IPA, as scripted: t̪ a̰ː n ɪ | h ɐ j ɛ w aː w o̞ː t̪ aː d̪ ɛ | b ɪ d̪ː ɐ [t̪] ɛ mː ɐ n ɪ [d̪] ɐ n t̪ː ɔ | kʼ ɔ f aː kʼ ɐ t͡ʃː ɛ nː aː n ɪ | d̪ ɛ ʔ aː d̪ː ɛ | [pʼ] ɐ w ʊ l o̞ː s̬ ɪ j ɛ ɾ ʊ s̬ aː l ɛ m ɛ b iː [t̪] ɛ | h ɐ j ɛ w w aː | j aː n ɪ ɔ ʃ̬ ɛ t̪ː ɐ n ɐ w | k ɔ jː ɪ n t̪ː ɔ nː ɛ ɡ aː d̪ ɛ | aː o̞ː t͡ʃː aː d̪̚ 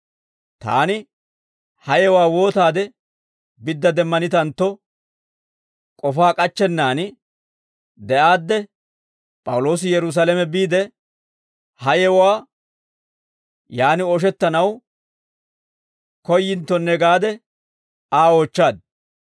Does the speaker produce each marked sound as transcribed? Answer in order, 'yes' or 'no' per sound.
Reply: no, no, yes, no

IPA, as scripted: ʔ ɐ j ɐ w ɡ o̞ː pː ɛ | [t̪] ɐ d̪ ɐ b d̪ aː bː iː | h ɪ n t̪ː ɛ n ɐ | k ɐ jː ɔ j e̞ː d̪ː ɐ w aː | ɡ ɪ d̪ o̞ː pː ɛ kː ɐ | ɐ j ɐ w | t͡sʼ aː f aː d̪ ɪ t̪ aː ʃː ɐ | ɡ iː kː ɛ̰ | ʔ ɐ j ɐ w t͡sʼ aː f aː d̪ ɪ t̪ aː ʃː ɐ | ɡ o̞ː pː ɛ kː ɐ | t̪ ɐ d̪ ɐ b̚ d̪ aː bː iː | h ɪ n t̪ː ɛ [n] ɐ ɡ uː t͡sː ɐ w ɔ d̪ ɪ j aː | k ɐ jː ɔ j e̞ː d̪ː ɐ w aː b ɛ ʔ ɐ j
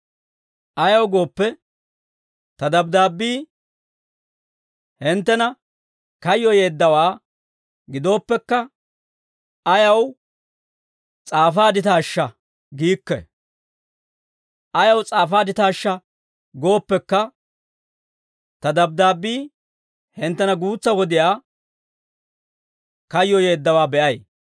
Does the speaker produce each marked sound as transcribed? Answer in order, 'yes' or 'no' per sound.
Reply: yes, yes

